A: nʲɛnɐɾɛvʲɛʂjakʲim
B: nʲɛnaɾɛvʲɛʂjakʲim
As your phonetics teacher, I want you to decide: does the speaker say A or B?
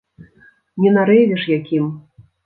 B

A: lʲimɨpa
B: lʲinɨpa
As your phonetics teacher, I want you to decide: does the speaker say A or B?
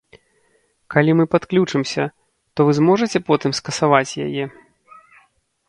A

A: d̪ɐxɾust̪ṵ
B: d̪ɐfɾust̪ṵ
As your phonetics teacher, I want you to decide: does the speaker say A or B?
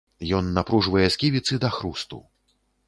A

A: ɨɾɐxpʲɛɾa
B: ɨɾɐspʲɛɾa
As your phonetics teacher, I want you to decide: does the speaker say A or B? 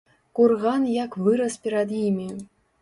B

